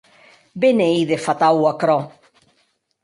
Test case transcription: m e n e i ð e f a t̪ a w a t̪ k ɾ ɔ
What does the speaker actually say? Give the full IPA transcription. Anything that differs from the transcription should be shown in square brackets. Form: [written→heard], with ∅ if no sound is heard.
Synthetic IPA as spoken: [m→b] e n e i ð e f a t̪ a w a [t̪→∅] k ɾ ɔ